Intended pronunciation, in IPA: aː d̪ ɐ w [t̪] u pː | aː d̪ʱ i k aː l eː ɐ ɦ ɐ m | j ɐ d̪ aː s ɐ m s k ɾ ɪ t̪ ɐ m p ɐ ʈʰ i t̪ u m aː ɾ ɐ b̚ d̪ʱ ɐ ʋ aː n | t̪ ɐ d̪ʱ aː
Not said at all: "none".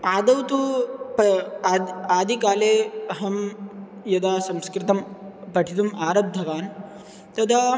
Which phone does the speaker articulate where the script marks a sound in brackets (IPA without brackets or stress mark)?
t̪